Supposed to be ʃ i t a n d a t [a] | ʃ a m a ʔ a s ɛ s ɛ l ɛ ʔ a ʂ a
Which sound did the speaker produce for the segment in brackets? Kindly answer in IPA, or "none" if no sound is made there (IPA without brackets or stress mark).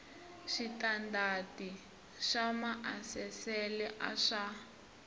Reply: i